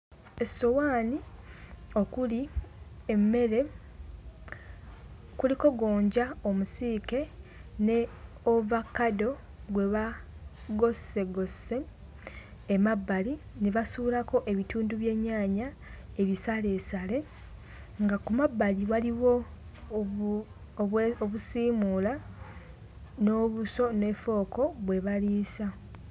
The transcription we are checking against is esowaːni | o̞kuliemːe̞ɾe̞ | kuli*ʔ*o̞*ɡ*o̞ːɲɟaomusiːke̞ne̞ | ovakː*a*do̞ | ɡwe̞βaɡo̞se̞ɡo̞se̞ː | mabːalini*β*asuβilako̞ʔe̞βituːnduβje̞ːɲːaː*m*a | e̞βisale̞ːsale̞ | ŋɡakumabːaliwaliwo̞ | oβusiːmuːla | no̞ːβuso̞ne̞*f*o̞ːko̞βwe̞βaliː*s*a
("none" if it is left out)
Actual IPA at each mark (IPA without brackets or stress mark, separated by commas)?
k, ɡ, a, β, ɲ, f, s